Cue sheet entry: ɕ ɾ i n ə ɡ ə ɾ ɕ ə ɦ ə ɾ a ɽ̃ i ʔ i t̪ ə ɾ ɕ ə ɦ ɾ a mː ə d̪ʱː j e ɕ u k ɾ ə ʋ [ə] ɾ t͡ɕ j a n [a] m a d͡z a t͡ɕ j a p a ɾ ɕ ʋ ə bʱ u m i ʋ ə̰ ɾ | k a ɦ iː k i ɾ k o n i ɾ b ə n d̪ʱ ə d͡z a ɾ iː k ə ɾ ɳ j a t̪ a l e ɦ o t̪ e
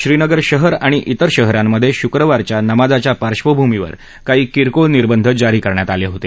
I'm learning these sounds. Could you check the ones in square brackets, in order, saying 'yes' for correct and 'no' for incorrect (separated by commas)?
no, no